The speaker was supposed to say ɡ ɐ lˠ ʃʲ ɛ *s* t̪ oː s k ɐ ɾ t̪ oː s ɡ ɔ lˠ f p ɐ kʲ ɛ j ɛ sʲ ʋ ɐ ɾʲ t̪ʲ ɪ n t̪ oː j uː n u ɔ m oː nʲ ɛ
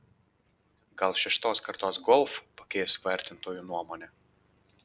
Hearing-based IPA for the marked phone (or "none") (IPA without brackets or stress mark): ʃ